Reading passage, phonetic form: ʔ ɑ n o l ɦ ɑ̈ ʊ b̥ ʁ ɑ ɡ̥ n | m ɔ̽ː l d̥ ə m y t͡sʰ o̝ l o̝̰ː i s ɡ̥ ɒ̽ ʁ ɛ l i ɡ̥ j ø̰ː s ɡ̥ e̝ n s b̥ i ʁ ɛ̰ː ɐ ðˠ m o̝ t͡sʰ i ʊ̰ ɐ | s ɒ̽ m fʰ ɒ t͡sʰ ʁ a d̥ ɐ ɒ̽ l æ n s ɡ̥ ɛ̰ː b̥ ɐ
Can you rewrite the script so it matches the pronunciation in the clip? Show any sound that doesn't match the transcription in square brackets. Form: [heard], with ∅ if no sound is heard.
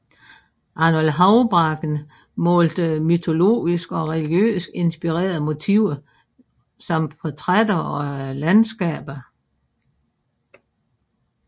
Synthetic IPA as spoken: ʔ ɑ n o l ɦ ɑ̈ ʊ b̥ ʁ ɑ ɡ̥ n | m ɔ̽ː l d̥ ə m y t͡sʰ o̝ l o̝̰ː i s ɡ̥ ɒ̽ ʁ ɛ l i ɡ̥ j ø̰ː s ɡ̥ e̝ n s b̥ i ʁ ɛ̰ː ɐ ðˠ m o̝ t͡sʰ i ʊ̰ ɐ | s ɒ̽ m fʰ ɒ t͡sʰ ʁ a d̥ ɐ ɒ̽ l æ n s ɡ̥ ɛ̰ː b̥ ɐ